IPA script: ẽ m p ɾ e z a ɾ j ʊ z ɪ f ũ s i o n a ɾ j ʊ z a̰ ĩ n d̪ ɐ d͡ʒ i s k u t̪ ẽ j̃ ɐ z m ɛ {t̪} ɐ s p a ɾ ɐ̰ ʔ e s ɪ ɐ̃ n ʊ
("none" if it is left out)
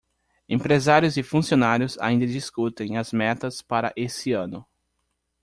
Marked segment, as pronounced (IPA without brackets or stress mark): t̪